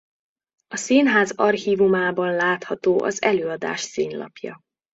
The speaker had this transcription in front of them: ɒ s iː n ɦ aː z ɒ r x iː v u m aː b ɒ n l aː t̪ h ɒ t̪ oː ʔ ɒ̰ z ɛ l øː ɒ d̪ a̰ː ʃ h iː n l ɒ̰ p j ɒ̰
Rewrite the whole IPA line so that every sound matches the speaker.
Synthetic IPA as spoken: ɒ s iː n ɦ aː z ɒ r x iː v u m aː b ɒ n l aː t̪ h ɒ t̪ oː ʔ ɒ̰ z ɛ l øː ɒ d̪ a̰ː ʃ s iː n l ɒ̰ p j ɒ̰